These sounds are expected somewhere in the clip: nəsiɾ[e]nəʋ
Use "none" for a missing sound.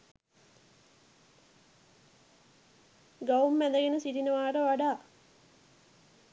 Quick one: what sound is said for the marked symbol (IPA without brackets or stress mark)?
i